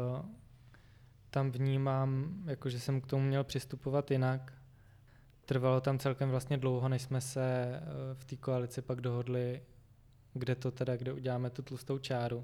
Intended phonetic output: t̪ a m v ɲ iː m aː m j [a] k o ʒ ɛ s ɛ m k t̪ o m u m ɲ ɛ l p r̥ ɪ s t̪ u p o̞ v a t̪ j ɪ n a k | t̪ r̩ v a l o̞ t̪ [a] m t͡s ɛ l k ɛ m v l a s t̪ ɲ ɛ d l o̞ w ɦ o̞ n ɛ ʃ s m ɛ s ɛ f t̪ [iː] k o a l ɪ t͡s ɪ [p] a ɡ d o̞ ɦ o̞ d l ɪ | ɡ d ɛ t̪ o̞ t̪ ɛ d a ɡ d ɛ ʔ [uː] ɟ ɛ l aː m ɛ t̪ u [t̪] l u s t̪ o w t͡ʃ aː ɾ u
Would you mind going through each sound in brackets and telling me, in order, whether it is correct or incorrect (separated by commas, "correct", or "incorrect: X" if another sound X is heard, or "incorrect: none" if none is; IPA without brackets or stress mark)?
correct, correct, correct, correct, incorrect: u, correct